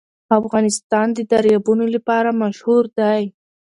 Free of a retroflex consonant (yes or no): yes